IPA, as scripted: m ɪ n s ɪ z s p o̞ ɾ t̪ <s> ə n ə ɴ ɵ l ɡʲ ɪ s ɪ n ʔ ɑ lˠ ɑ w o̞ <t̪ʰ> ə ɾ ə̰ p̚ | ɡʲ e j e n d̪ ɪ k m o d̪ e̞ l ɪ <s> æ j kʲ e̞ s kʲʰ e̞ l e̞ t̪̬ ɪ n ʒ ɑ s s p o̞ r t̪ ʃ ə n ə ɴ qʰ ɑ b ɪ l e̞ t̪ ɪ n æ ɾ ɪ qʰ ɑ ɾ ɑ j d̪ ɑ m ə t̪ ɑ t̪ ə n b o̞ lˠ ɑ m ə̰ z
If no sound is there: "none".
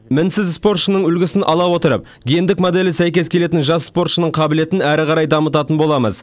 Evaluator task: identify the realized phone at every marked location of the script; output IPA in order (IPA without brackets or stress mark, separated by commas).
ʃ, t̪, s